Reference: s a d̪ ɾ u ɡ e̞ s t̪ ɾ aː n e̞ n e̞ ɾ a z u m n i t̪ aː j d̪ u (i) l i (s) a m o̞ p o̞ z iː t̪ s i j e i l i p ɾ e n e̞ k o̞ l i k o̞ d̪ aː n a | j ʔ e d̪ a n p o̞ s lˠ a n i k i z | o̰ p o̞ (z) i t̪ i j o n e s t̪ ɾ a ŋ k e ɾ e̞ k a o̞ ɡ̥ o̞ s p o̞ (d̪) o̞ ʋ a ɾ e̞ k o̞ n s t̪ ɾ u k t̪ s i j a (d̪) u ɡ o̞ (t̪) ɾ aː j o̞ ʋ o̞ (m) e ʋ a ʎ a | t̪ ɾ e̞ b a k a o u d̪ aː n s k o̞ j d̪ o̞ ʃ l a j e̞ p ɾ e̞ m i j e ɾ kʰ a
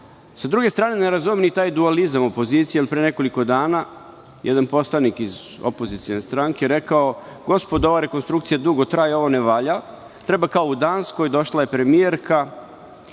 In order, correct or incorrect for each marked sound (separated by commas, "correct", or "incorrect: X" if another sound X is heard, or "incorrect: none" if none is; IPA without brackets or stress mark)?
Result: incorrect: a, incorrect: z, correct, correct, correct, correct, incorrect: n